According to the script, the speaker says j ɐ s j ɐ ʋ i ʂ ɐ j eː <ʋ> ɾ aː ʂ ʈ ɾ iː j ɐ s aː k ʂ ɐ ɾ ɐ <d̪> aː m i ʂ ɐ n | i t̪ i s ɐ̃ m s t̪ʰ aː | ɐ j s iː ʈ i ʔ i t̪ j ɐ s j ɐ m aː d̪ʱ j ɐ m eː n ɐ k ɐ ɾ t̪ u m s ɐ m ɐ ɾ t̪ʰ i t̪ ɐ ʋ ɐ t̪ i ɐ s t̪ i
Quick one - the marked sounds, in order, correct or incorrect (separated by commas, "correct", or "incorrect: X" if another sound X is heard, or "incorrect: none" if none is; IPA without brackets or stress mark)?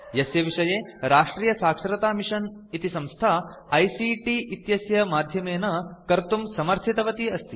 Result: incorrect: none, incorrect: t̪